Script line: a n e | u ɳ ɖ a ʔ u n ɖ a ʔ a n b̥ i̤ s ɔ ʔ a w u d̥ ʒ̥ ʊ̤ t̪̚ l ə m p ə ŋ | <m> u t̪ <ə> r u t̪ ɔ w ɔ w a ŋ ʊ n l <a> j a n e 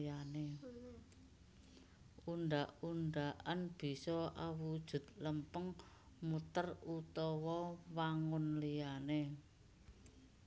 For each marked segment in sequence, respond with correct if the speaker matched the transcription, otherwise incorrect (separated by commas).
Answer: correct, correct, incorrect